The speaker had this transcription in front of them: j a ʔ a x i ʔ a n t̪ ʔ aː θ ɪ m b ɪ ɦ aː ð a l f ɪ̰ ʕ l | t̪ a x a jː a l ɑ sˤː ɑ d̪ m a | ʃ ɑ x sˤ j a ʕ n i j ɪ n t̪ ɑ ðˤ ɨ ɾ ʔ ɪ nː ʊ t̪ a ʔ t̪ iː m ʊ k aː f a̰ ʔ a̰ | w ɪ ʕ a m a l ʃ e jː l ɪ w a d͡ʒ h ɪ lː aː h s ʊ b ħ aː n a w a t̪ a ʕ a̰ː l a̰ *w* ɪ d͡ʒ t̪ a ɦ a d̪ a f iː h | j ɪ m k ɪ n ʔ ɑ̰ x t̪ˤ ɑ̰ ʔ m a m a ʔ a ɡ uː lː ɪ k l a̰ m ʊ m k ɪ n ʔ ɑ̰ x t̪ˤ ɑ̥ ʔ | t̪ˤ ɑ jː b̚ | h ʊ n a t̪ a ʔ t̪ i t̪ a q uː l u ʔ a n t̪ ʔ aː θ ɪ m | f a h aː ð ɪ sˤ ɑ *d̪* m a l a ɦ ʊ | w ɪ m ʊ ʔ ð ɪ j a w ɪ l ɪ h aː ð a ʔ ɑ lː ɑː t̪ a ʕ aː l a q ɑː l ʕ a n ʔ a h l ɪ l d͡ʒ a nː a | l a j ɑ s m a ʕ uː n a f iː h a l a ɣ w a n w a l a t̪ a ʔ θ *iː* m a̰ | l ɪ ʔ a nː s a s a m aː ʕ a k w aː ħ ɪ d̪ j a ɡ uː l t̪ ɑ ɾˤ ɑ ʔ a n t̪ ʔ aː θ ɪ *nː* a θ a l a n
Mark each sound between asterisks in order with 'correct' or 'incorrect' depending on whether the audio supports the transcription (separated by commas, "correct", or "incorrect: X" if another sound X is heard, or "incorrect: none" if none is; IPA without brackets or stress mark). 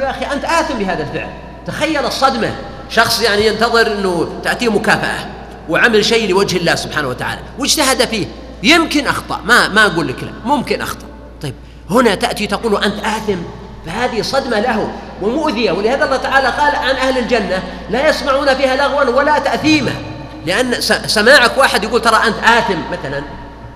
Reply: correct, correct, correct, incorrect: mː